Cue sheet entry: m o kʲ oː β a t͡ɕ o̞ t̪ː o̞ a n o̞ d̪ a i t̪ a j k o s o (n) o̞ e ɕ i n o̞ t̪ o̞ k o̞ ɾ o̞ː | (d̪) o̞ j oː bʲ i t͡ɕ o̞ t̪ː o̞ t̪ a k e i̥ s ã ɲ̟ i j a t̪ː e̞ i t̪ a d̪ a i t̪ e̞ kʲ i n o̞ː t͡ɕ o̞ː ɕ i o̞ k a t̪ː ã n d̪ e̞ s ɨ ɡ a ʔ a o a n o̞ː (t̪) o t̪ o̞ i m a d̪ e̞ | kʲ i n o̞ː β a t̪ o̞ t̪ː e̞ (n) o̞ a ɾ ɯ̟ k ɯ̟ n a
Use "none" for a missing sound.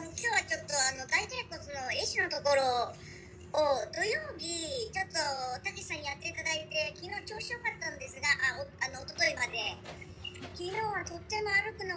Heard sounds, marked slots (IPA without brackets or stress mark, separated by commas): n, d̪, t̪, m